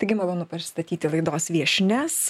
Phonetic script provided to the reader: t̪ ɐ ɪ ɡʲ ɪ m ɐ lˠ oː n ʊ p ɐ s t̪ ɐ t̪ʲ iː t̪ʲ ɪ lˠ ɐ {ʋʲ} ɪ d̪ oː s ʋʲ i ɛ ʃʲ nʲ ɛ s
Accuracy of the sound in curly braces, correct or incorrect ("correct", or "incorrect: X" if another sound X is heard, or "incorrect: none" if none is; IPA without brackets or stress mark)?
incorrect: none